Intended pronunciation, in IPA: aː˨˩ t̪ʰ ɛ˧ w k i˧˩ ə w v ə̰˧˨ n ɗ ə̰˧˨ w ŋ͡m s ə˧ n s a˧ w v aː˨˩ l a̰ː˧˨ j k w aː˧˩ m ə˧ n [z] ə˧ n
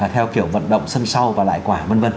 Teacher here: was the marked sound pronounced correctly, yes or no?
no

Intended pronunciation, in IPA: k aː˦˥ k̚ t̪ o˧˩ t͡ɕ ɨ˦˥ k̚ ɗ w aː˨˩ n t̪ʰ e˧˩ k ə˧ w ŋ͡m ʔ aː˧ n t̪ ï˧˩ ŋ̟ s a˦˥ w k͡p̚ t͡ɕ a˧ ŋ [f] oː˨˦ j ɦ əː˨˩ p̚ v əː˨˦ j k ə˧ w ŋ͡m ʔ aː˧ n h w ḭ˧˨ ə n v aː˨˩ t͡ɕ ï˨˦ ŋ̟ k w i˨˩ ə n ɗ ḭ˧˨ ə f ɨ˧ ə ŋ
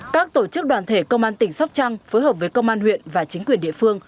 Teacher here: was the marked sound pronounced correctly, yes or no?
yes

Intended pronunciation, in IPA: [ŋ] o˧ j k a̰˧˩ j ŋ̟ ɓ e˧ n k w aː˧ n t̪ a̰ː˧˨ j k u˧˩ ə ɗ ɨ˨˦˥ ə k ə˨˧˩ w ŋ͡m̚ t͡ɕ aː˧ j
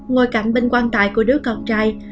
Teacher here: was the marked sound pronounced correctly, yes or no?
yes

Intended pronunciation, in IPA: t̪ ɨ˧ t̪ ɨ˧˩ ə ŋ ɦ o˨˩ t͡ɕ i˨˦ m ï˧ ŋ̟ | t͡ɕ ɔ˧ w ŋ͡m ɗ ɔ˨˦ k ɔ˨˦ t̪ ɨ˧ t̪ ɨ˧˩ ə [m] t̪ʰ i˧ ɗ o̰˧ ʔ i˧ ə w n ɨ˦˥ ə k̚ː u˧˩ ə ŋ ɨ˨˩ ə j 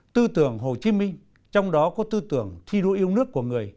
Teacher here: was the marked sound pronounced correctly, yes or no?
no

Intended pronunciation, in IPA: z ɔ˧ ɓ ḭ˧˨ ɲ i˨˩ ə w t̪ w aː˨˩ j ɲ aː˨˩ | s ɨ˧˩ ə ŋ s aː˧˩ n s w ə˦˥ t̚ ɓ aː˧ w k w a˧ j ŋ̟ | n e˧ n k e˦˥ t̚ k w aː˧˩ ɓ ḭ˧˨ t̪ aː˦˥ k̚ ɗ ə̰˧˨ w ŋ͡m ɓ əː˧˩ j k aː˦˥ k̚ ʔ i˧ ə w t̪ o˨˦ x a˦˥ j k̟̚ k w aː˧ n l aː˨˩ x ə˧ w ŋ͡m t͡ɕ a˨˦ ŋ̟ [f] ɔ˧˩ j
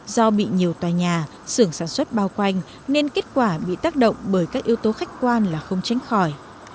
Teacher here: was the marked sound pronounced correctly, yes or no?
no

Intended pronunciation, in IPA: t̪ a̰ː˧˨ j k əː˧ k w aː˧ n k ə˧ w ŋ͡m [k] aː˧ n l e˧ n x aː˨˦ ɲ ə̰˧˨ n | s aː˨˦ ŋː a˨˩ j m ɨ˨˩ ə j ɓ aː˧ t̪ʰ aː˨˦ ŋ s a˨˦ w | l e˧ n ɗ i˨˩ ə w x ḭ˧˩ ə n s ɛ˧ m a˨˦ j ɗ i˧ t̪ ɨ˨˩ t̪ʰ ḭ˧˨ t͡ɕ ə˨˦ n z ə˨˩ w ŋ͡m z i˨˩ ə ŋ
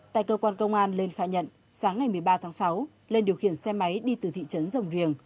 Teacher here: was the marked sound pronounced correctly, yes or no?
no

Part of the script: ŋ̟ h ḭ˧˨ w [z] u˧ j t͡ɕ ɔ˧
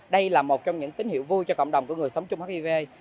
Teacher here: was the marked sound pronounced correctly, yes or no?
no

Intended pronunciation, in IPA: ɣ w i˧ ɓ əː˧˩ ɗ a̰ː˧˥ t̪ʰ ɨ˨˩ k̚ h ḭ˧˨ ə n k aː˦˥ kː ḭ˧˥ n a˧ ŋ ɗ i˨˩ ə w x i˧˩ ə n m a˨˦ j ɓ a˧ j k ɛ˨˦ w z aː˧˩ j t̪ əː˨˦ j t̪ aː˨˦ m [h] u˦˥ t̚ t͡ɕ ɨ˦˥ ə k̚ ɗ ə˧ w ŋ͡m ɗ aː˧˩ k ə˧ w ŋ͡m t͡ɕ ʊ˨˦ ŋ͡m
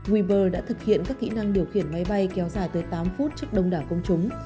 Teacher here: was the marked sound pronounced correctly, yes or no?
no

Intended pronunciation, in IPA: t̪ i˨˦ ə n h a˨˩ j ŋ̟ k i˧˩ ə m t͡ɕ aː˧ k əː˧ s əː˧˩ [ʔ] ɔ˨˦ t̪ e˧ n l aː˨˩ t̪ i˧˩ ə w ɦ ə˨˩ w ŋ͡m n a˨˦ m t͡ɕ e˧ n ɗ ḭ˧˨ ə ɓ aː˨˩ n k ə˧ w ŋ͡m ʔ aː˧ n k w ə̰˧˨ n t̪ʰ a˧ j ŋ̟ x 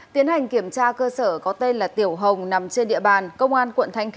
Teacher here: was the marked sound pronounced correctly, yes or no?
no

